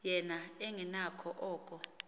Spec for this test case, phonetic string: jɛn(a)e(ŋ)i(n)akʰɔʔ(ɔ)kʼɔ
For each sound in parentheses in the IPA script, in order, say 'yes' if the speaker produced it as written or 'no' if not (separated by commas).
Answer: yes, yes, yes, no